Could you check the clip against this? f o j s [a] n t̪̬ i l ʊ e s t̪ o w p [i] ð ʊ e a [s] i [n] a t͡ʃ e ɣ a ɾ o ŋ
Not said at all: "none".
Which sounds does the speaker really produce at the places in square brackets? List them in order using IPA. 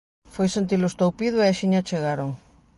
e, i, ʃ, ɲ

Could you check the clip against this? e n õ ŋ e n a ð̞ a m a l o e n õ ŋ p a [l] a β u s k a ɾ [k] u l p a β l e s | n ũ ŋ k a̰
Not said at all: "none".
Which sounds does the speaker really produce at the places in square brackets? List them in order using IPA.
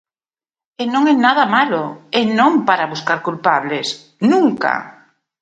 ɾ, k

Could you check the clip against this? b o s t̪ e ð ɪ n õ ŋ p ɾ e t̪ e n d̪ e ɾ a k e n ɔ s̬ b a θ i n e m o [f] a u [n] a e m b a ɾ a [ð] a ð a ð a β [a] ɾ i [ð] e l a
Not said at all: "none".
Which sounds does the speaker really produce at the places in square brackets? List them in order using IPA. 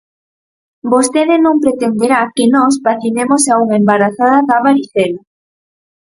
s, ŋ, θ, a, θ

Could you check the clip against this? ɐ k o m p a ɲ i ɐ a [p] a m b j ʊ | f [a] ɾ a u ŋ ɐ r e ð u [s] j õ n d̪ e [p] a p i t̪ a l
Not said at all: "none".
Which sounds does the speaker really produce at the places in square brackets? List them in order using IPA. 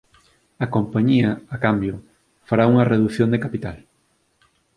k, a, θ, k

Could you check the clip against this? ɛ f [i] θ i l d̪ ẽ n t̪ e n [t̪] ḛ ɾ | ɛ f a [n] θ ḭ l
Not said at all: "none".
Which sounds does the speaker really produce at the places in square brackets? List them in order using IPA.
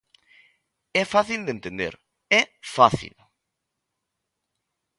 a, d̪, none

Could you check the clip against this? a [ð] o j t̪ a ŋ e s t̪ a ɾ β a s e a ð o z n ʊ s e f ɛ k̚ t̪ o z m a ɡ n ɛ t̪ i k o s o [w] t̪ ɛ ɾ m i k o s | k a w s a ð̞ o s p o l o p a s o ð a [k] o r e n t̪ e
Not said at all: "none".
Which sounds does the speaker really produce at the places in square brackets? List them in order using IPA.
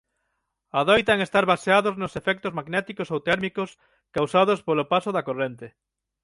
ð, w, k

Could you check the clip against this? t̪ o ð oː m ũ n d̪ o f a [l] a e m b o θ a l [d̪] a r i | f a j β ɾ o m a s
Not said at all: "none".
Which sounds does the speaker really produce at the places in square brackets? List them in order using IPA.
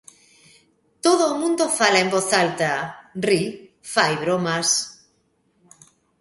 l, t̪

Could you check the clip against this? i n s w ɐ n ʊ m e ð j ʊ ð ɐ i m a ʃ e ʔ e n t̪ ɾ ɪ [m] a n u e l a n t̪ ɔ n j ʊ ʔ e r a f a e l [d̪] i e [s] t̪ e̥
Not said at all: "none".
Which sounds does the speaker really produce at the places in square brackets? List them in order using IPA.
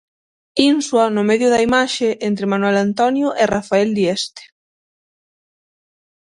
m, d̪, s

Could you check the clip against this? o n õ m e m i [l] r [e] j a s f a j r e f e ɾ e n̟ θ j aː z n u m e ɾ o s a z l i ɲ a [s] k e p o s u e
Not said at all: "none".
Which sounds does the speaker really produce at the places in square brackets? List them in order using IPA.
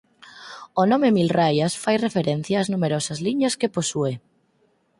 l, a, s

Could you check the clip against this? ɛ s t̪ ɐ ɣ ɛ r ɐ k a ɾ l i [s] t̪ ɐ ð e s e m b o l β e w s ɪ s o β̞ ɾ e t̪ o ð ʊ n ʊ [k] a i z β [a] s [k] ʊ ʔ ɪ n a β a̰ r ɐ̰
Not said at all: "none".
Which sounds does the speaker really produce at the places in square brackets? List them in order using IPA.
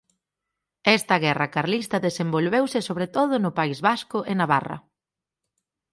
s, p, a, k

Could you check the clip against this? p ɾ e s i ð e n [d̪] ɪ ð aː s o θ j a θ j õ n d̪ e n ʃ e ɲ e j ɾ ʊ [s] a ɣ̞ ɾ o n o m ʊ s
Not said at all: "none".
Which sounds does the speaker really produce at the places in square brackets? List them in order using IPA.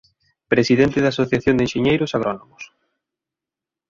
t̪, s

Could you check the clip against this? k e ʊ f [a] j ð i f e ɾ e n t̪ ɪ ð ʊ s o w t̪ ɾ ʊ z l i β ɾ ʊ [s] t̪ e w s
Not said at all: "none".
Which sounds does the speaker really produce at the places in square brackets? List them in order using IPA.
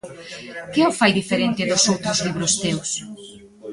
a, s

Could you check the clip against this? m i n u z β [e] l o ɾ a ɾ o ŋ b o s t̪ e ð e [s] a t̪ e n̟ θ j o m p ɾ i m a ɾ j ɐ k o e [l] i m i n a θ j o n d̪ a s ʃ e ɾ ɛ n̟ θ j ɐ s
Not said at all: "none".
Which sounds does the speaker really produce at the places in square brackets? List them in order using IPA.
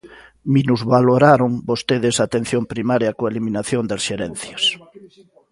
a, s, l

